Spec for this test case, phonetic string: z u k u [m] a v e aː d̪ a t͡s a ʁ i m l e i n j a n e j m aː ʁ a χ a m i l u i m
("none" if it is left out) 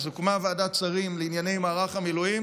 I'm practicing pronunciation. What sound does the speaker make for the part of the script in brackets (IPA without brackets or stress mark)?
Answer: m